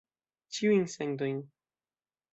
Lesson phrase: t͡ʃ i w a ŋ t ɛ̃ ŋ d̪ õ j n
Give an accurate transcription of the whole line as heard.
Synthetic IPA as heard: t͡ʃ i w i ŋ s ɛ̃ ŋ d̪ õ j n